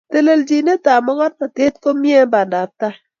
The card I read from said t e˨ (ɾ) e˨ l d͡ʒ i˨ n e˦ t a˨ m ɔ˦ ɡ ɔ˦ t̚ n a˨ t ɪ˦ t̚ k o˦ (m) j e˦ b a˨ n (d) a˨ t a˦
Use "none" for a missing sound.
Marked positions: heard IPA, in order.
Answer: l, m, d

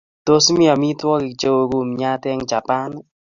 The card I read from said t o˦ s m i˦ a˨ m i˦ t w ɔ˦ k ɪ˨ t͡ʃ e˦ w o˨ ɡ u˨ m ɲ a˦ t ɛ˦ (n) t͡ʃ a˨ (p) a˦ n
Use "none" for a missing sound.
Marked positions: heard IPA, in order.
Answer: ŋ, p

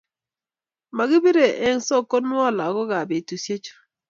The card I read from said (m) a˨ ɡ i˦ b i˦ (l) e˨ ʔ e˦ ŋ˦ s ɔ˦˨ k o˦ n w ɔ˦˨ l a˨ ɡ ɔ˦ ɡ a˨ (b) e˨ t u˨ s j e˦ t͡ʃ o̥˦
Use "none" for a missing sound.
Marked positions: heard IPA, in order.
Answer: m, ɾ, b

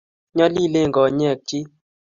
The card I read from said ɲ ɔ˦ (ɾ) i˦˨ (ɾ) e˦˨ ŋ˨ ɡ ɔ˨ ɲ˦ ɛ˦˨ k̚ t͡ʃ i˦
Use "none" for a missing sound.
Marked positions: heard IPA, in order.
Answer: l, l

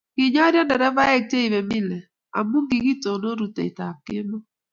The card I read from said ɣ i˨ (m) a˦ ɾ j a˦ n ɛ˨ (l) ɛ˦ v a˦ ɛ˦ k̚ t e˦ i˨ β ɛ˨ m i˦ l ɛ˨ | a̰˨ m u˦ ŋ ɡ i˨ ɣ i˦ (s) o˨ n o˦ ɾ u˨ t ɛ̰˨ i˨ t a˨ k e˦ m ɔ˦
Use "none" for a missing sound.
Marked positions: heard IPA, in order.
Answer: ɲ, ɾ, t

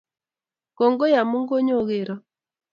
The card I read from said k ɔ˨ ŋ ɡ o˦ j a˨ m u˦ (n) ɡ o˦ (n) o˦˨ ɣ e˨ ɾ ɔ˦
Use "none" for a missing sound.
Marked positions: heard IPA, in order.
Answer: ŋ, ɲ

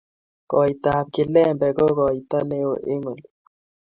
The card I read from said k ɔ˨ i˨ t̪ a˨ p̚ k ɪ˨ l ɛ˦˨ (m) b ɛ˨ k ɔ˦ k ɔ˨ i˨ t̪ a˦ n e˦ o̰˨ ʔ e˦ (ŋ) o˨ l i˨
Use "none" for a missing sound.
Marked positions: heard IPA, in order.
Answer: m, ŋ

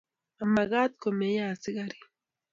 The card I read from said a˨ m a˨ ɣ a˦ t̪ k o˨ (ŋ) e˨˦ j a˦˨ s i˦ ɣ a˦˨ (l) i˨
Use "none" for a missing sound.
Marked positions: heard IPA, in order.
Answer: m, ɾ

